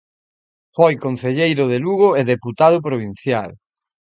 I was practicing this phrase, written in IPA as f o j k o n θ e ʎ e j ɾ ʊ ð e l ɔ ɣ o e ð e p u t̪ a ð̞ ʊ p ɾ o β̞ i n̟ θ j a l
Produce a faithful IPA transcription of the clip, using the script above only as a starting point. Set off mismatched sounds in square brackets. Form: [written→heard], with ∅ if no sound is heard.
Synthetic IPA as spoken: f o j k o n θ e ʎ e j ɾ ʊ ð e l [ɔ→u] ɣ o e ð e p u t̪ a ð̞ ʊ p ɾ o β̞ i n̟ θ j a l